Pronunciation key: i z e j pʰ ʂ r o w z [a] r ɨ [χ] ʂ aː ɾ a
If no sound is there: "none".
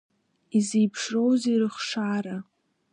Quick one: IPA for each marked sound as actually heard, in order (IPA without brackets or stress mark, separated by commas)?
i, χ